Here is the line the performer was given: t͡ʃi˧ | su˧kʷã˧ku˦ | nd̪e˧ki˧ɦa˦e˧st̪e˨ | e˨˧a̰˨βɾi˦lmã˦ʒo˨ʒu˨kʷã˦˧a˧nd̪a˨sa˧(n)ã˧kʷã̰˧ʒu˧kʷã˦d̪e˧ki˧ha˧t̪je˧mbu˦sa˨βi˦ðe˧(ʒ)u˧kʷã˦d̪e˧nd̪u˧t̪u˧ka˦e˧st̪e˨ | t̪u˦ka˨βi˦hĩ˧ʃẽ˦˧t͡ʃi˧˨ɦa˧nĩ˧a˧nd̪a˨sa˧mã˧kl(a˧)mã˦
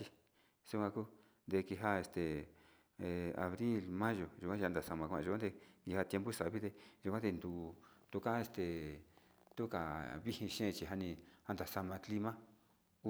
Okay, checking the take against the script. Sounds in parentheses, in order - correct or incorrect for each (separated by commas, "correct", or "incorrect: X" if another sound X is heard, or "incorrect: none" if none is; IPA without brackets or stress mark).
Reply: incorrect: m, correct, incorrect: i˧